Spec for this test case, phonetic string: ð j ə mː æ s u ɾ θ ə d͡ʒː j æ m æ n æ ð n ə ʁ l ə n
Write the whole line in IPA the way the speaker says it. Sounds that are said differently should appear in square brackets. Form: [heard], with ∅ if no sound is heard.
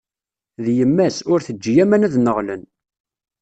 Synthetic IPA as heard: ð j ə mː æ s [ʊ] ɾ θ ə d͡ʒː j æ m æ n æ ð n ə ʁ l ə n